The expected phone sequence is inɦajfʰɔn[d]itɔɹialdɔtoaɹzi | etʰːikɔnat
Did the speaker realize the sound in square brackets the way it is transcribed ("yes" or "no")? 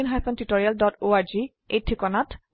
no